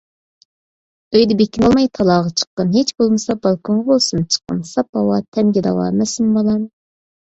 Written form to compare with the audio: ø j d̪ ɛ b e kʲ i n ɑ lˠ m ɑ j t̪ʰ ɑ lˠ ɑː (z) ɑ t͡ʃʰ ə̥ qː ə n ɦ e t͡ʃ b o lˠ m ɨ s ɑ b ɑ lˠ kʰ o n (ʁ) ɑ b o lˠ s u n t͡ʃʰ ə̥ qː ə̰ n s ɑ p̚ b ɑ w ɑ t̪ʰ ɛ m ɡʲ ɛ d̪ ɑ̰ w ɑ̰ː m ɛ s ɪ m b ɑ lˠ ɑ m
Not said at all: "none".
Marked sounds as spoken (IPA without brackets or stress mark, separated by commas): ʁ, ʁ